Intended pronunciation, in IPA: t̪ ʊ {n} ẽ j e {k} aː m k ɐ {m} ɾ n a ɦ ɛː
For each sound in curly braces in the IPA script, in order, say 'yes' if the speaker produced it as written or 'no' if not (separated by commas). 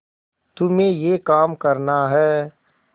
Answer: no, yes, no